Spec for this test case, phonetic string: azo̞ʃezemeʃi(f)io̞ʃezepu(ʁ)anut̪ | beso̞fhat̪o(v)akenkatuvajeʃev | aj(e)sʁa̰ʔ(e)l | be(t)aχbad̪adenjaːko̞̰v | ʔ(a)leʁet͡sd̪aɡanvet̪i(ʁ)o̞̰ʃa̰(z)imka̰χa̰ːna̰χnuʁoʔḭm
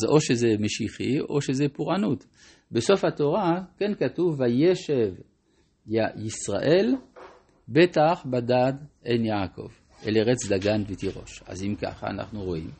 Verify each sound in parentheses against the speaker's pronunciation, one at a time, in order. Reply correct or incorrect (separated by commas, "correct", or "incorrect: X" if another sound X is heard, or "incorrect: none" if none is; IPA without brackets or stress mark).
incorrect: χ, correct, incorrect: ʁ, incorrect: i, correct, correct, incorrect: e, correct, correct